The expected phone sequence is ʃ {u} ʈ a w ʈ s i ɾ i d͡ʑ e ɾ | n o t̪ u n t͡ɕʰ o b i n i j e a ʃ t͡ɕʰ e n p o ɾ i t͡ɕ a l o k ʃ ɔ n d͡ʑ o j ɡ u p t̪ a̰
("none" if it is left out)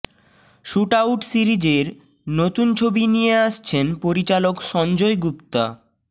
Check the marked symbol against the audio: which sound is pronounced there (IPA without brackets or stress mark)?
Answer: u